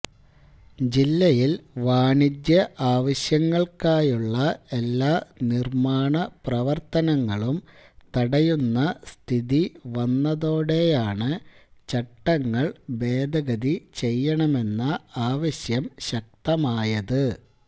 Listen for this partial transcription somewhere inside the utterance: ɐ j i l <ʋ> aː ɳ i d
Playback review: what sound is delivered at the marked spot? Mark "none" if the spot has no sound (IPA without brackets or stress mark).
ʋ